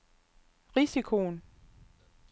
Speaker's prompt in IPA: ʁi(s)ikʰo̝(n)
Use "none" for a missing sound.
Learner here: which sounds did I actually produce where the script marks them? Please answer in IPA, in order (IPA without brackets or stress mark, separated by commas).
s, n